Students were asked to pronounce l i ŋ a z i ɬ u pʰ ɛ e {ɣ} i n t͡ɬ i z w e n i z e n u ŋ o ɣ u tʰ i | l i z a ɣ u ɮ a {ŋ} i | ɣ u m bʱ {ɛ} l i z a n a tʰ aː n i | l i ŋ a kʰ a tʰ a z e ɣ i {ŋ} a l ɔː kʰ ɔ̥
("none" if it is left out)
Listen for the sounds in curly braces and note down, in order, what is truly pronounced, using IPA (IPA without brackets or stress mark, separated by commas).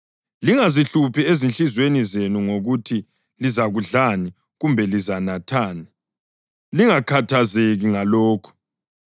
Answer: z, n, ɛ, ŋ